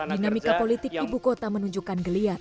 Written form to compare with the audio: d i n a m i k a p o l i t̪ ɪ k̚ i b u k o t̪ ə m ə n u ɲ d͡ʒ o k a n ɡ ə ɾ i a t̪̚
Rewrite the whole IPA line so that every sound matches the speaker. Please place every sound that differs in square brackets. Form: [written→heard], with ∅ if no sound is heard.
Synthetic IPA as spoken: d i n a m i k a p o l i t̪ ɪ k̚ i b u k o t̪ [ə→a] m ə n u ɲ d͡ʒ [o→u] k a n ɡ ə [ɾ→l] i a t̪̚